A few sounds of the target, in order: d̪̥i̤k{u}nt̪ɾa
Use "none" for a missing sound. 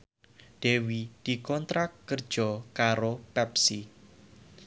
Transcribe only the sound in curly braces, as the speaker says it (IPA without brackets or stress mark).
ɔ